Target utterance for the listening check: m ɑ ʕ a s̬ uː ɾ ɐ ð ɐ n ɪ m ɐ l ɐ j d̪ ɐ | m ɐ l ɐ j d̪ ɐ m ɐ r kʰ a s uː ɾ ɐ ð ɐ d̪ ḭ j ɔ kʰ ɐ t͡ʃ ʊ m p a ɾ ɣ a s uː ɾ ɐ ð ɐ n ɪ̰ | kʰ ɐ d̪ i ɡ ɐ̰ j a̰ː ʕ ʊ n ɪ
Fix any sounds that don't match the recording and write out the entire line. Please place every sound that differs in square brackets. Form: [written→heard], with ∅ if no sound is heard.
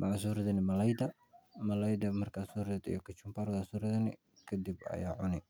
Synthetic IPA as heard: m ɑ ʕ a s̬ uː ɾ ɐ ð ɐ n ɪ m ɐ l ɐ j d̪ ɐ | m ɐ l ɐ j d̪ ɐ m ɐ r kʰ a s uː ɾ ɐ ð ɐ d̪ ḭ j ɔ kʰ ɐ t͡ʃ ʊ m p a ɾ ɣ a s uː ɾ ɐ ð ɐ n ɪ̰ | kʰ ɐ d̪ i [ɡ→b] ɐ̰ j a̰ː ʕ ʊ n ɪ